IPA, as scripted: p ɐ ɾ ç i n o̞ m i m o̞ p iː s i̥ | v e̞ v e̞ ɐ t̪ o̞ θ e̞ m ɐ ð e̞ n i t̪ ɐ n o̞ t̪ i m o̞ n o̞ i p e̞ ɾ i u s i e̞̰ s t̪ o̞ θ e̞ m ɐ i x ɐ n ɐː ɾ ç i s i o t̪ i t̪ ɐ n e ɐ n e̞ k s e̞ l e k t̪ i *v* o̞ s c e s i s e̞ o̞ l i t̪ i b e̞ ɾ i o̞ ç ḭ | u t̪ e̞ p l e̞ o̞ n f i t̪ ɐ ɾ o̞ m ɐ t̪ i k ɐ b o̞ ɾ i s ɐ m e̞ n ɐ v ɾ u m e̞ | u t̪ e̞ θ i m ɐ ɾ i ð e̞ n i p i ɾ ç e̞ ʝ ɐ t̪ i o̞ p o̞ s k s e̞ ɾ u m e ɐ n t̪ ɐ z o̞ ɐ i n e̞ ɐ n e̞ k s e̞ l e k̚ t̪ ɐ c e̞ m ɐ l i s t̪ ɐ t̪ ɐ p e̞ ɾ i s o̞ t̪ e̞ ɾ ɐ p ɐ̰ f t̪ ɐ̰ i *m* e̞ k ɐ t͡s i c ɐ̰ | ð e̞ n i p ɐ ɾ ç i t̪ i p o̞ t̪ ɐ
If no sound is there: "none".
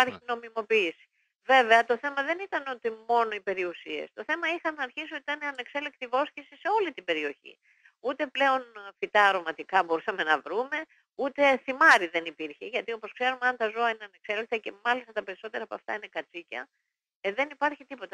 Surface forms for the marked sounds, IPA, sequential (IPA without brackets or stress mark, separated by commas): v, n